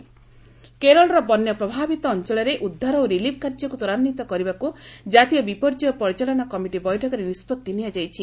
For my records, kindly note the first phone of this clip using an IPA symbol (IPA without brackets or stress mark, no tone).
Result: k